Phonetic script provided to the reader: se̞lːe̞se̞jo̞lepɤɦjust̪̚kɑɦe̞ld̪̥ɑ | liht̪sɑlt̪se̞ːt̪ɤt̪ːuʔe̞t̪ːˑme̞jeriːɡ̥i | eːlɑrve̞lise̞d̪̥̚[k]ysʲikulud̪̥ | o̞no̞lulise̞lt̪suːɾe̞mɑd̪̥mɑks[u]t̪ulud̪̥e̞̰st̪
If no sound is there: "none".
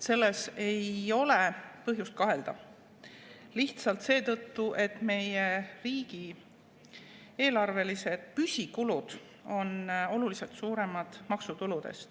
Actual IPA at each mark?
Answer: p, u

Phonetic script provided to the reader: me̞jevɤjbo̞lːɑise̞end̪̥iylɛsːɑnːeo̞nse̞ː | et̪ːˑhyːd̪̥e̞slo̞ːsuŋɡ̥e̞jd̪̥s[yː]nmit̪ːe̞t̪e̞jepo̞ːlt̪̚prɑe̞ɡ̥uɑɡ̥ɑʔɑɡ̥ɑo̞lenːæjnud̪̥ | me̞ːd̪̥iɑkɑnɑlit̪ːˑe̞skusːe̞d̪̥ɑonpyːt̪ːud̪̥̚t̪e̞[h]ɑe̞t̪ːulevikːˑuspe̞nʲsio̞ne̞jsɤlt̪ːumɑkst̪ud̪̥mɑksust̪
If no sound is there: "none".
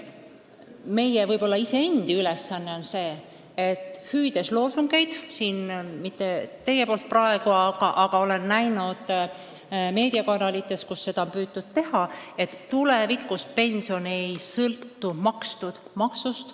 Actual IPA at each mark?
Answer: iː, h

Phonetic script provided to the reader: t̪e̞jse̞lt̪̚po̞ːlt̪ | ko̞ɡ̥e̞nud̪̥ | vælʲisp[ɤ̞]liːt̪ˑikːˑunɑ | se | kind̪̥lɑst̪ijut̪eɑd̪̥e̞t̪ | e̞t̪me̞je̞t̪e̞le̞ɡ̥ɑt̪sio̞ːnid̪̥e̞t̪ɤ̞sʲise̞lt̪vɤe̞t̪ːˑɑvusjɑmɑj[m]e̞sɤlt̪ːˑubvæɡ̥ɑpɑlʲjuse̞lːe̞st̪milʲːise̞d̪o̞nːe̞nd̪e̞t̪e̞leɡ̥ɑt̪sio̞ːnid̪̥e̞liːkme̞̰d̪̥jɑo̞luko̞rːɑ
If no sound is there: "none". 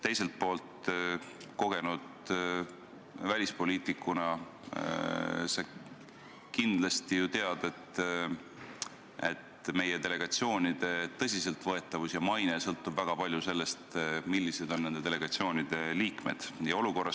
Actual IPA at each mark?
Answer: o̞, n

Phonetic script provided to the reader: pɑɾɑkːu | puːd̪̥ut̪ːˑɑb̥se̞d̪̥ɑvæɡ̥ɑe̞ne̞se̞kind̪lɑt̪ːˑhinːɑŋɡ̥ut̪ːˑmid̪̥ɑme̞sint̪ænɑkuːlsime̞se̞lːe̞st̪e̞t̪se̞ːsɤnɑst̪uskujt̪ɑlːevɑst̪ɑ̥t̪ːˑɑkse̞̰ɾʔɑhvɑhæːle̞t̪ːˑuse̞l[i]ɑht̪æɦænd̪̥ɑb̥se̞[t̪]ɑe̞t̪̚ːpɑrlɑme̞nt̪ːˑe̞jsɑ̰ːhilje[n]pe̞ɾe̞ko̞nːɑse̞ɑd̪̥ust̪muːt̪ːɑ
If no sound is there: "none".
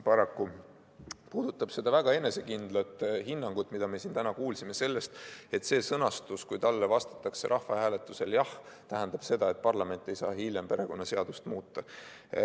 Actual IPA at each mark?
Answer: j, d̪, m

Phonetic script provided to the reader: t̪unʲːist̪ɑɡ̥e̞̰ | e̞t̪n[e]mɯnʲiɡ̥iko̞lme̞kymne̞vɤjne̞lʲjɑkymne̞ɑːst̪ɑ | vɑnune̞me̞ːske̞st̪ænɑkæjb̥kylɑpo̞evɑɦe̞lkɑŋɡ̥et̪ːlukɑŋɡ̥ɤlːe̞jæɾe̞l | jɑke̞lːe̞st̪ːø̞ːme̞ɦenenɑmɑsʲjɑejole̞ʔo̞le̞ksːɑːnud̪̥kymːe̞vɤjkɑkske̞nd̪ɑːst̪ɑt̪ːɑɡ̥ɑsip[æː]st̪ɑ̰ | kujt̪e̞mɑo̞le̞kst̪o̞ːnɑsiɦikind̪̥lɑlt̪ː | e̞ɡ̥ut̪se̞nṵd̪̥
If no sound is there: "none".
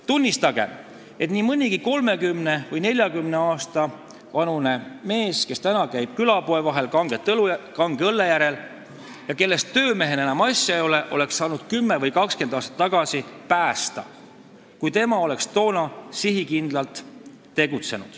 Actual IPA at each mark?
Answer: i, æː

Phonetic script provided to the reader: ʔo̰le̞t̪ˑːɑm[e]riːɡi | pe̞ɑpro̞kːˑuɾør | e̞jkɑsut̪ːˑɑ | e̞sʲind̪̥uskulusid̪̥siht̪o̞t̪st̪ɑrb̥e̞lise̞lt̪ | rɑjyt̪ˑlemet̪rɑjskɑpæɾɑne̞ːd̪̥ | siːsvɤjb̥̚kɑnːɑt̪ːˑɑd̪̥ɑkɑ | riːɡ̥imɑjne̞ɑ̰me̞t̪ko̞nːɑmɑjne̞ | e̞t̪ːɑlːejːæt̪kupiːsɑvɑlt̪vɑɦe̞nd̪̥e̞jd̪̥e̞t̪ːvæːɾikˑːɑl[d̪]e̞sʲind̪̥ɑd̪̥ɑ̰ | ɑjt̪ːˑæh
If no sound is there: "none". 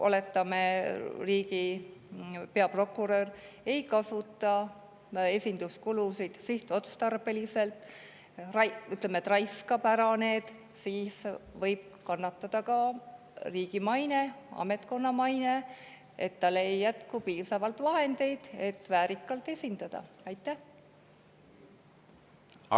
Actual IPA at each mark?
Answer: e, t̪

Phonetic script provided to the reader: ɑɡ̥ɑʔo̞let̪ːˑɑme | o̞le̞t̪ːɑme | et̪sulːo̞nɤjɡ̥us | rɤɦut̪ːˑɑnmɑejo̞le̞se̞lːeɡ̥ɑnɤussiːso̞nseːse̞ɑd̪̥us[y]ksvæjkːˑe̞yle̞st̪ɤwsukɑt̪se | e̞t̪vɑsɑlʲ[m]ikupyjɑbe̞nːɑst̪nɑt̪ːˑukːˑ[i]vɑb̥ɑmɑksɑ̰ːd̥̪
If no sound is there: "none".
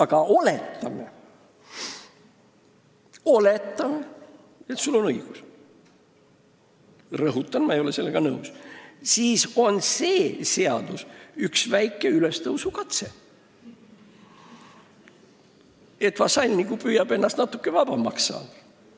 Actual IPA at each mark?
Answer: y, n, e

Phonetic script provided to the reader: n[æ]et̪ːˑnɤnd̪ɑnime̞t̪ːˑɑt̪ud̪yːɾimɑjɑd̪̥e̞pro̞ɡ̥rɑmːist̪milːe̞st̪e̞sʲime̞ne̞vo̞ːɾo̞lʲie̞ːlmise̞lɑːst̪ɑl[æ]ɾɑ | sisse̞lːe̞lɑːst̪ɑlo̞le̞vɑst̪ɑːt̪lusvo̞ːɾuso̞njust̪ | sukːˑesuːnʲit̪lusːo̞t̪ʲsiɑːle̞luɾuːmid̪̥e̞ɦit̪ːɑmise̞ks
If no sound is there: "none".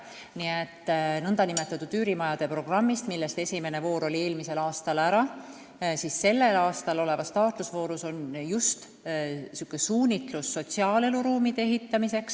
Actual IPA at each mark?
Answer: i, æ

